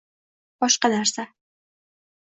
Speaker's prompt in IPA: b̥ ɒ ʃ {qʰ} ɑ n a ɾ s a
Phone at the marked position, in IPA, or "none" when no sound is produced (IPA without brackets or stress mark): q